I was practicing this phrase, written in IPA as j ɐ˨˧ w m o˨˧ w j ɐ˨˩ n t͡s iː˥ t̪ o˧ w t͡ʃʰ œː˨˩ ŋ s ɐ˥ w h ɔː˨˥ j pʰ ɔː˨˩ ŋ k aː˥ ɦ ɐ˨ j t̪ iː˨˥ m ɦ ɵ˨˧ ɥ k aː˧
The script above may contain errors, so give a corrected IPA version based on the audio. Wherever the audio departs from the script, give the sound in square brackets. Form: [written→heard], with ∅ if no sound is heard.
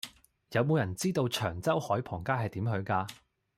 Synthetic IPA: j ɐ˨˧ w m o˨˧ w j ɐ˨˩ n t͡s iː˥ t̪ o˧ w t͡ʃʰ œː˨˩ ŋ [s→t͡s] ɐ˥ w h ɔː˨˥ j pʰ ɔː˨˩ ŋ k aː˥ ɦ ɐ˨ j t̪ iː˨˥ m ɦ ɵ˨˧ ɥ k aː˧